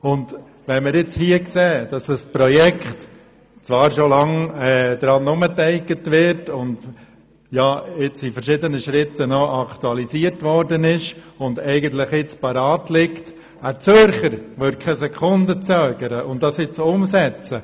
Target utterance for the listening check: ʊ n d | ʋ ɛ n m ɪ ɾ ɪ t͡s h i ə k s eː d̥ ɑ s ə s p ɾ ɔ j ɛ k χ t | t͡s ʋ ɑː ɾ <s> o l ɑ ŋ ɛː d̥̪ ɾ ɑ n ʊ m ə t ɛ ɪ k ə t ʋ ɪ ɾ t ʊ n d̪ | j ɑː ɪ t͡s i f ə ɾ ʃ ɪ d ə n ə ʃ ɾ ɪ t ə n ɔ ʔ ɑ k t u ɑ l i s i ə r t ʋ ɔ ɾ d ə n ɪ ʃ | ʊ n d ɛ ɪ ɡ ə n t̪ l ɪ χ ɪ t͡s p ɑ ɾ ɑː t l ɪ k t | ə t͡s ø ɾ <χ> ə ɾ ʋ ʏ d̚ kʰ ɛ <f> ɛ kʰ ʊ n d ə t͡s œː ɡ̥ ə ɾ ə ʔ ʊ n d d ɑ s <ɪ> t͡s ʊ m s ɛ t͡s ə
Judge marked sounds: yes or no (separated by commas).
no, yes, no, yes